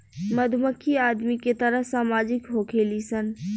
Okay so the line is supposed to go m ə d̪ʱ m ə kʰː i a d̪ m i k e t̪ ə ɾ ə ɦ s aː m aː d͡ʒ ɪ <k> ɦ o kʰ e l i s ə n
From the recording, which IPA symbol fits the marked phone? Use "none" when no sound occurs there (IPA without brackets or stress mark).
k